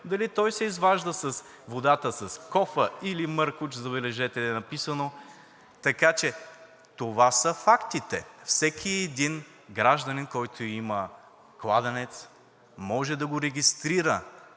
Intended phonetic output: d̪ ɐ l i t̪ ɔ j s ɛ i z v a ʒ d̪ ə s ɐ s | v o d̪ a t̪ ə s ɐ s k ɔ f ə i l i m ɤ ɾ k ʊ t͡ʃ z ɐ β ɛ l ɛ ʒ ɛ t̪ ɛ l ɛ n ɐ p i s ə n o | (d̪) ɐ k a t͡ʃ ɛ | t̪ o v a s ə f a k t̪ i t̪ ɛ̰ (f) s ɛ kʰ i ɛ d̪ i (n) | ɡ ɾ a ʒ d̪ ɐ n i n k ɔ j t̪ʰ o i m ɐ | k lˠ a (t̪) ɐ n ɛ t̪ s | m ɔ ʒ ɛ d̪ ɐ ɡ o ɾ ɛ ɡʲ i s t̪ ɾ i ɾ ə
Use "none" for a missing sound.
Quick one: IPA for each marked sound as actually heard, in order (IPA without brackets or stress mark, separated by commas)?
t̪, f, n, d̪